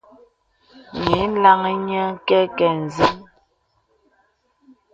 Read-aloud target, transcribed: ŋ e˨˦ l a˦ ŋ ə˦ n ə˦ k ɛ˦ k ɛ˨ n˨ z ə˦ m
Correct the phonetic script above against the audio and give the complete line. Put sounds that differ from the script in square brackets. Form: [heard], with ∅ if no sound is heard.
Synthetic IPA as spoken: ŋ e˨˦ l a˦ ŋ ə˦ [ɲ] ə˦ k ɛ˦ k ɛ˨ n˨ z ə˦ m

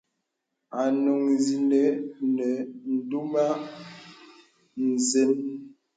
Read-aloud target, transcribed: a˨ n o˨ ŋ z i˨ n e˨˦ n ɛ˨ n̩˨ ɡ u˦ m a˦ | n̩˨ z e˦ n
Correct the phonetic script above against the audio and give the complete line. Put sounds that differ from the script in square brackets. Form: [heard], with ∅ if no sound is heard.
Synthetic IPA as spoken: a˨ n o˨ ŋ z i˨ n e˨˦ n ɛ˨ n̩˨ [d] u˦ m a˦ | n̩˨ z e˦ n

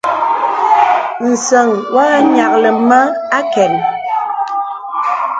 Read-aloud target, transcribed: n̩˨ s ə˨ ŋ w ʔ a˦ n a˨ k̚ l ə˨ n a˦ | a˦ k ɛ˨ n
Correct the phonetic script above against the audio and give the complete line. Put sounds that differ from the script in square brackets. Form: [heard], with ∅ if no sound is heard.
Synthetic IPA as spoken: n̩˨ s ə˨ ŋ w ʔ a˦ [ɲ] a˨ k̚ l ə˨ [m] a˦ | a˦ k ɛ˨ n

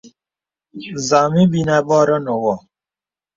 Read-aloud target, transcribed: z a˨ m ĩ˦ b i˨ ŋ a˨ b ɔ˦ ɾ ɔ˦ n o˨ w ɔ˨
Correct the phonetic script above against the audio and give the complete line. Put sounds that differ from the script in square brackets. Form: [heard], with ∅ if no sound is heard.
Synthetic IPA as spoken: z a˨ m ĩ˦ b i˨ [n] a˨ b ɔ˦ ɾ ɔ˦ n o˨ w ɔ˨

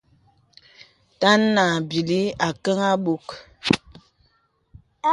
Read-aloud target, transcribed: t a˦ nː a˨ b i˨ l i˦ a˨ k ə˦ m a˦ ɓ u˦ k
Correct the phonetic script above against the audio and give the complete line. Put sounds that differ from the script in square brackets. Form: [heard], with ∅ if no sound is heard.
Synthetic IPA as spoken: t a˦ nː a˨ b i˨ l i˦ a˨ k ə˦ [ŋ] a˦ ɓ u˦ k

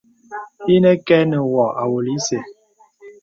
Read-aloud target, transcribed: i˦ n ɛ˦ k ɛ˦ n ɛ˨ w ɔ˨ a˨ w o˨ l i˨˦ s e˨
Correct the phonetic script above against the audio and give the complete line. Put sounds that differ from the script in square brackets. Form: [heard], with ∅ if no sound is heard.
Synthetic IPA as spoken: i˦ n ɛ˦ k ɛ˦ n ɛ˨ w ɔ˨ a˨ w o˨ l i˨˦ s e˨

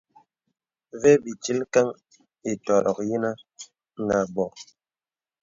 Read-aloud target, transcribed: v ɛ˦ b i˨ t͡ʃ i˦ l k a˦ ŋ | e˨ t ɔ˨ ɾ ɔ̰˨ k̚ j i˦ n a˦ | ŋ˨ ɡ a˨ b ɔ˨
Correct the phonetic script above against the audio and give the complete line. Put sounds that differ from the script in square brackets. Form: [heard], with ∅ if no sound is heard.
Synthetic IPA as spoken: v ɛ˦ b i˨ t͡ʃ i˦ l k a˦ ŋ | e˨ t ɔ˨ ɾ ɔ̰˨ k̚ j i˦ n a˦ | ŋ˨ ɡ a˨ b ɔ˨

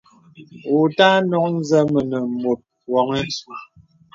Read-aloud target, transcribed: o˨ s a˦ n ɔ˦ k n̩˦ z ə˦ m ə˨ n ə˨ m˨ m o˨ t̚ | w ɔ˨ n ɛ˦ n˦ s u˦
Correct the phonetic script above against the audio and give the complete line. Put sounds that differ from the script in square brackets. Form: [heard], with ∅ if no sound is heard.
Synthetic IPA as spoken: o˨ [t] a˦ n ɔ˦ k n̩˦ z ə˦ m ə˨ n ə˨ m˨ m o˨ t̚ | w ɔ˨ [ŋ] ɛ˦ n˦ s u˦

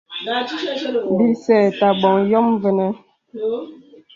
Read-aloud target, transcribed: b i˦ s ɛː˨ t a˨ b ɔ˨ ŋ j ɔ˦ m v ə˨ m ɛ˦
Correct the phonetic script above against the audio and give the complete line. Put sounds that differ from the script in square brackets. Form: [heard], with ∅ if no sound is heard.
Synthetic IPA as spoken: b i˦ s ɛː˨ t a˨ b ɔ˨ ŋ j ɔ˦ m v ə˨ [n] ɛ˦

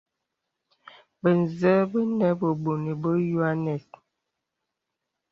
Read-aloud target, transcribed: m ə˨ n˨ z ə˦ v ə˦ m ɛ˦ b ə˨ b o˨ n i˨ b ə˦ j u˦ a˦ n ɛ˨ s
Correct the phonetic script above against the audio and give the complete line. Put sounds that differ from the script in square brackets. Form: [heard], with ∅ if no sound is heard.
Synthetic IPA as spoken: [b] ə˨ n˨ z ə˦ [b] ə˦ [n] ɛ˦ b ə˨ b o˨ n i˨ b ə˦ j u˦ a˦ n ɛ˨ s

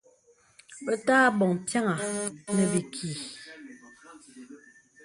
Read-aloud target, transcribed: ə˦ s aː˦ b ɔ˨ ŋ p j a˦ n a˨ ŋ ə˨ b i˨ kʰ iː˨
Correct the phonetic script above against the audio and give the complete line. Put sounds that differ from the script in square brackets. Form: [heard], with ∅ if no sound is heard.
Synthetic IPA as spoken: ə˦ [t] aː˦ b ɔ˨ ŋ p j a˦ [ŋ] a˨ [n] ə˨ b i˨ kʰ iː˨

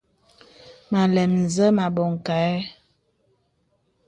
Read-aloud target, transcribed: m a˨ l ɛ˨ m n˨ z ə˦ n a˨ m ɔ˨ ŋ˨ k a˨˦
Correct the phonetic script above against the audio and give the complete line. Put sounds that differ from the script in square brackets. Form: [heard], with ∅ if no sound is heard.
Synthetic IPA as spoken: m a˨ l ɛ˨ m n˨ z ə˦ [m] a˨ [b] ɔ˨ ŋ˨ k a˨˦

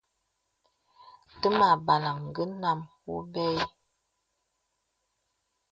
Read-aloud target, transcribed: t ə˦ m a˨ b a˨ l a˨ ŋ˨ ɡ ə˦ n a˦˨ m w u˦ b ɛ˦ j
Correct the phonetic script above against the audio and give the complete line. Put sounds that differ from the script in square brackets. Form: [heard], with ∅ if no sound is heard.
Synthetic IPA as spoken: t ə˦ m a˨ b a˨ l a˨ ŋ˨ ɡ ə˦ n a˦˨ m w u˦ b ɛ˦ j

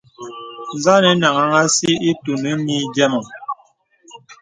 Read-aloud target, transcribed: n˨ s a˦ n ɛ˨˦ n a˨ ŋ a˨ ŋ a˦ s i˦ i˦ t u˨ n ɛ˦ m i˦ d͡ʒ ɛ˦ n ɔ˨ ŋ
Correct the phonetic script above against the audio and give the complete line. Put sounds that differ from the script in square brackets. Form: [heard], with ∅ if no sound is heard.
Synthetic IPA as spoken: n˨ [z] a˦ n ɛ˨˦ n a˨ ŋ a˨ ŋ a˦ s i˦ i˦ t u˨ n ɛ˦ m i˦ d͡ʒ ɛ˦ [m] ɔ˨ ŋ

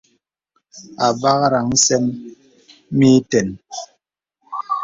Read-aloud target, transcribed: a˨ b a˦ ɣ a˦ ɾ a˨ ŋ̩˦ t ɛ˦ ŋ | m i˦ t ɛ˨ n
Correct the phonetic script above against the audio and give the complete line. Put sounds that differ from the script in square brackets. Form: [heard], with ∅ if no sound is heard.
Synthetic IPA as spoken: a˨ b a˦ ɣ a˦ ɾ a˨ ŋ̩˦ [s] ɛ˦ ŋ | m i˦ t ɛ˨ n

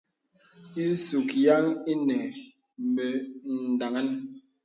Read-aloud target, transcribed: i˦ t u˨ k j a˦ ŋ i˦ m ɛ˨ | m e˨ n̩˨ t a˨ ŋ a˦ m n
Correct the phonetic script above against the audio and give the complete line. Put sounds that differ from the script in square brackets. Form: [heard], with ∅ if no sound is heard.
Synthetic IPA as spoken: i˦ [s] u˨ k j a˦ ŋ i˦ [n] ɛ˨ | m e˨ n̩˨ [d] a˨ ŋ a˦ [∅] n

